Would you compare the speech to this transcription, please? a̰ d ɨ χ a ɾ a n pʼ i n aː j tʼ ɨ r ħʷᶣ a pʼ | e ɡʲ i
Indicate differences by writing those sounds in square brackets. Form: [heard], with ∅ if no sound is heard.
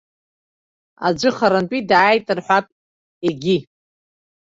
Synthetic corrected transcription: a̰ [d͡ʒʷ] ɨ χ a ɾ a n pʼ i [d] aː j tʼ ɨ r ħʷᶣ a pʼ | e ɡʲ i